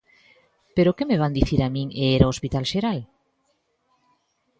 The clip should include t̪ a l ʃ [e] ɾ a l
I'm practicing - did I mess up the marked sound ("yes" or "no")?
no